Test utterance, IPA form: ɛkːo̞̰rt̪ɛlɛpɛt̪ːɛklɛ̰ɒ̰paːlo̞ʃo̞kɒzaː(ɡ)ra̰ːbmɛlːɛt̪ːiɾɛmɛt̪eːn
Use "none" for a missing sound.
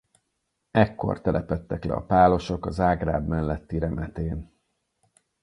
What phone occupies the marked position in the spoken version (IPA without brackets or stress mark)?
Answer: ɡ